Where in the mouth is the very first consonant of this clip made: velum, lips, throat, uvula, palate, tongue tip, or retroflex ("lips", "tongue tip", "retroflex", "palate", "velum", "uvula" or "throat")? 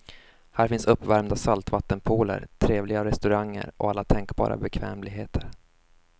throat